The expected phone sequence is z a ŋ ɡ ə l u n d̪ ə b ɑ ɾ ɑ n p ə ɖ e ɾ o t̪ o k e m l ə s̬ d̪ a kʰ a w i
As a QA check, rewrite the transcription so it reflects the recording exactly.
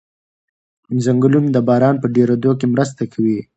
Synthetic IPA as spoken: z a ŋ ɡ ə l u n d̪ ə b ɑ ɾ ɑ n p ə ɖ e ɾ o d̪ o k e m ɾ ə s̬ t̪ a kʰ a w i